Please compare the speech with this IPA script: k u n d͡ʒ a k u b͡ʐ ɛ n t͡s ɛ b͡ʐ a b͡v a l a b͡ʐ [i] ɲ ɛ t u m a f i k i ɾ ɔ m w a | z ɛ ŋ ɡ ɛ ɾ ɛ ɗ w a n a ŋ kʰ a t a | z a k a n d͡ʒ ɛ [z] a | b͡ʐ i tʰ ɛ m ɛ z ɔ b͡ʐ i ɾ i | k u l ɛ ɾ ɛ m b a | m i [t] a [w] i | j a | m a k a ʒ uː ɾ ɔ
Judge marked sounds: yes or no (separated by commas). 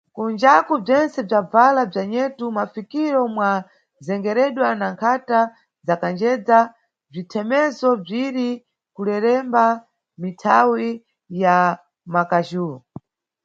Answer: no, no, no, yes